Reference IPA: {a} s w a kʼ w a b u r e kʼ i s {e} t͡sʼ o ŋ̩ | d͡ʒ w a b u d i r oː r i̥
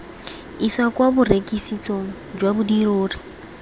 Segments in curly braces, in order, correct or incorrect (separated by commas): incorrect, incorrect